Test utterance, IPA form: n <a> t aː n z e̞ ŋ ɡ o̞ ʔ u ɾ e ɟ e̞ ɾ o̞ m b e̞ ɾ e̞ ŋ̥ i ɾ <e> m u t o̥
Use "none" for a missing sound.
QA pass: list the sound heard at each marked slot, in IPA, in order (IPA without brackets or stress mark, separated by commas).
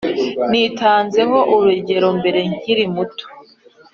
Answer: i, i